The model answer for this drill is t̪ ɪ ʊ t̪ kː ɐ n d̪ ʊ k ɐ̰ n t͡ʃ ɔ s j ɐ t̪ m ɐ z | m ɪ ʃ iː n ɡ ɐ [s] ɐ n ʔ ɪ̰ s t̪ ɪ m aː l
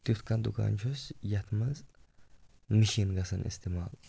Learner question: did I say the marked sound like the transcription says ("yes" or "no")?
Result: yes